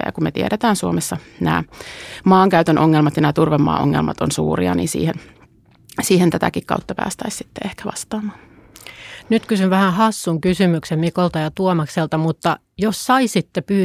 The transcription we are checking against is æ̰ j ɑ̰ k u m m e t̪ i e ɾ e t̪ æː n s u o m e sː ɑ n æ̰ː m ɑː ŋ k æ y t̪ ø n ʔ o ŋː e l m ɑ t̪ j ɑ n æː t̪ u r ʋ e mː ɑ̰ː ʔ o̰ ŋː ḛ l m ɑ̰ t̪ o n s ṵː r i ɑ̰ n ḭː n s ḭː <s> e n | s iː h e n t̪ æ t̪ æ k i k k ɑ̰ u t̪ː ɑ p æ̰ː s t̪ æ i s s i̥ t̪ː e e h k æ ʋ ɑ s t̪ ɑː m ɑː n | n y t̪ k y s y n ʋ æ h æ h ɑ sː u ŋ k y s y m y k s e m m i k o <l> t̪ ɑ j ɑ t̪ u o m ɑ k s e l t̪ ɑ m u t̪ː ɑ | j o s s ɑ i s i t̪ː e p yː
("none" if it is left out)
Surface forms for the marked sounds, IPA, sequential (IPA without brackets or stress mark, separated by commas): h, l